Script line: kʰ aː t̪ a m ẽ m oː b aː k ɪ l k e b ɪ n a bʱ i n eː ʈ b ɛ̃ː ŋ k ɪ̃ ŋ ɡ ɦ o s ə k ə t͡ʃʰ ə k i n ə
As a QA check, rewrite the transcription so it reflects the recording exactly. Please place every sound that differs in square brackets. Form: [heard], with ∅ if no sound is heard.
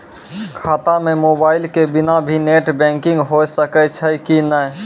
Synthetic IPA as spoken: kʰ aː t̪ a m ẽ m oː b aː [∅] ɪ l k e b ɪ n a bʱ i n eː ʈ b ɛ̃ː ŋ k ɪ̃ ŋ ɡ ɦ o s ə k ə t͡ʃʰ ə k i n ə